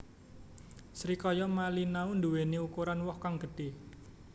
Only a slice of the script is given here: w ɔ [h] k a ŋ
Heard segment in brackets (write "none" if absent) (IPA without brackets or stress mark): h